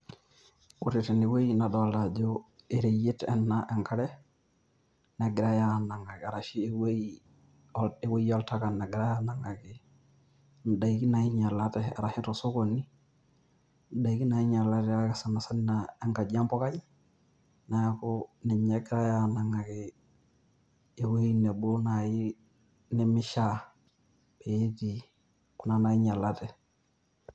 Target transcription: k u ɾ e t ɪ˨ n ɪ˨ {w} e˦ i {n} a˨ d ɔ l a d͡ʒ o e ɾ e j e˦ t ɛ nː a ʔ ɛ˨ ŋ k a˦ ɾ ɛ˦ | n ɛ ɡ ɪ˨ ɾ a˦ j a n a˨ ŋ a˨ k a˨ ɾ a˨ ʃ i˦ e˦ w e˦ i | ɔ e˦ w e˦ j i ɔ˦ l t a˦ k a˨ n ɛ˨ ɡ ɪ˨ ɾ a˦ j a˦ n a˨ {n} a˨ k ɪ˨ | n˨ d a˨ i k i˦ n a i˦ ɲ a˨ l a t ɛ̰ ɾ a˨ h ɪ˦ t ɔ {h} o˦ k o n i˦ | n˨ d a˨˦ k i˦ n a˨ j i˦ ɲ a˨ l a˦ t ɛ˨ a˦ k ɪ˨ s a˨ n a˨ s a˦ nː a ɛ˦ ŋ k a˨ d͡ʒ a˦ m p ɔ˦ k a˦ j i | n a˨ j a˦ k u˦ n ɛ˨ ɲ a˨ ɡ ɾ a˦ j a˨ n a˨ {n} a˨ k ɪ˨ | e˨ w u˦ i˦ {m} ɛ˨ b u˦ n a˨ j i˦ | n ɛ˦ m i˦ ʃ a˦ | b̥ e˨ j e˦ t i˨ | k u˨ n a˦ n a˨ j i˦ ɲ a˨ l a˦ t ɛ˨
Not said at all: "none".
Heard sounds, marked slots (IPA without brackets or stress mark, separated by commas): w, n, ŋ, s, ŋ, n